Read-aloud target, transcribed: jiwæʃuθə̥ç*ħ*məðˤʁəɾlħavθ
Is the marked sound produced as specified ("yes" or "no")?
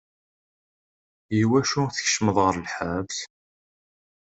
no